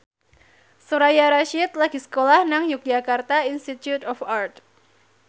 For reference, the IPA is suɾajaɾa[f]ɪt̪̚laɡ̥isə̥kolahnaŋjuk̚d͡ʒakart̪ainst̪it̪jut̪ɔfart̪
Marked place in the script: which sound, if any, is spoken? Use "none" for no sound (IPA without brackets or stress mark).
ʃ